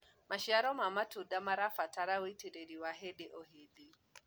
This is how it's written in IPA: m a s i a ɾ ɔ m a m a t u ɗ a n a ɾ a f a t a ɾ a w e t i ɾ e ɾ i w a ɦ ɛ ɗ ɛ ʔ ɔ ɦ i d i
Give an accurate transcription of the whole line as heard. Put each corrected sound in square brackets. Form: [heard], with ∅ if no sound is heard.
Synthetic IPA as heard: m a [ʃ] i a ɾ ɔ m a m a t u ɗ a [m] a ɾ a f a t a ɾ a w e t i ɾ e ɾ i w a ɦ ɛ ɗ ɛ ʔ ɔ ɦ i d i